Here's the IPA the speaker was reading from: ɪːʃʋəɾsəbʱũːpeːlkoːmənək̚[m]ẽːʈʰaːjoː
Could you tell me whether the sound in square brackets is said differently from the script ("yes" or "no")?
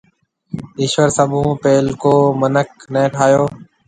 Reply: yes